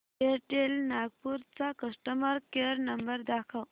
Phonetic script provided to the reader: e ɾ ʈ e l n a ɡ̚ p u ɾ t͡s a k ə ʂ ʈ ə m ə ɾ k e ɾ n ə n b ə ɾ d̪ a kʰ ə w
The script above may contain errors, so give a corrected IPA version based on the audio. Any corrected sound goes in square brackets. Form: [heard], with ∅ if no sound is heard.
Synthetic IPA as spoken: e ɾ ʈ e l n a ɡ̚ p u ɾ t͡s a k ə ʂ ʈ ə m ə ɾ k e ɾ n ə [m] b ə ɾ d̪ a kʰ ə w